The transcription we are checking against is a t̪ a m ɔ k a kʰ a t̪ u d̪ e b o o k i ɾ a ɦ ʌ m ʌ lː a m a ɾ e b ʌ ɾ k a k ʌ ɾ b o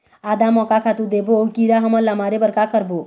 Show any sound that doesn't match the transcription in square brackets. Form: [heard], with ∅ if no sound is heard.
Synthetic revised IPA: a [d̪] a m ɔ k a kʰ a t̪ u d̪ e b o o k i ɾ a ɦ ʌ m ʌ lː a m a ɾ e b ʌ ɾ k a k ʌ ɾ b o